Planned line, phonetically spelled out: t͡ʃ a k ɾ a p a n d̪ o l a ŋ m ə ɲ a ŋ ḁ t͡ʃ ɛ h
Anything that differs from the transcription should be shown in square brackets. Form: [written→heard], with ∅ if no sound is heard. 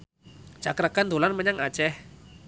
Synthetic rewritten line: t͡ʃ a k ɾ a [p→k] a n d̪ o l a [ŋ→n] m ə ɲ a ŋ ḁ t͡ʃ ɛ h